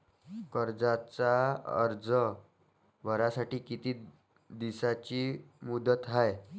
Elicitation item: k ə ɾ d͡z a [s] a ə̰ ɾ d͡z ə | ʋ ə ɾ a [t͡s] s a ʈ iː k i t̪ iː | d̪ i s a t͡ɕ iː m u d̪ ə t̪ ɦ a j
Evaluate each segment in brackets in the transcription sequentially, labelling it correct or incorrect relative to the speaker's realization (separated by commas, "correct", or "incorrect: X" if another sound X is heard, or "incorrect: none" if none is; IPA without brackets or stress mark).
incorrect: t͡s, incorrect: none